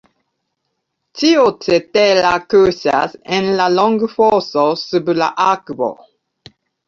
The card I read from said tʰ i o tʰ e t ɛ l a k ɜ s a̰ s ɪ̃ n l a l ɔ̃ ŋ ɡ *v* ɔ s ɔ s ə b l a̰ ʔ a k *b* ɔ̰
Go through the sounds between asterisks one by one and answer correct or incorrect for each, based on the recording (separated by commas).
incorrect, correct